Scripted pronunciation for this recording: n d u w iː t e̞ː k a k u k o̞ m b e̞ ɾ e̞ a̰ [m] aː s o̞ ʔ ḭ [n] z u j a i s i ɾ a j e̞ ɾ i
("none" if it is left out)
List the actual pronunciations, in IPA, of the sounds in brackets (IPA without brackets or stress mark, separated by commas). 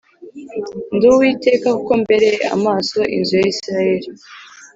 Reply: m, n